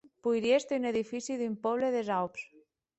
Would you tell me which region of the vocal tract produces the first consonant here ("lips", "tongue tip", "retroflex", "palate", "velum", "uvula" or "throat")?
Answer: lips